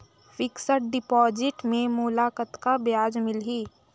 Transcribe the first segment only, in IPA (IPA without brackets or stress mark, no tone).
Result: f